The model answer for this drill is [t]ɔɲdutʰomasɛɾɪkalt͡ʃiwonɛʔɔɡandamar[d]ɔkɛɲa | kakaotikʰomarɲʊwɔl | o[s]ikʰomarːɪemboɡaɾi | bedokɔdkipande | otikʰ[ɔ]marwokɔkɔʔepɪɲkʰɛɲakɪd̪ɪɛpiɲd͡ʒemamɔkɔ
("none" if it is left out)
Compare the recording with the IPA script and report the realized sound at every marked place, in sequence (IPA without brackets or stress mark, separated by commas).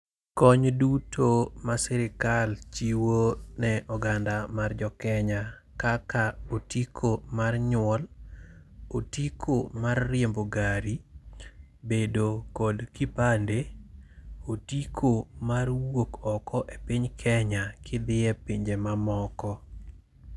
k, d͡ʒ, t, o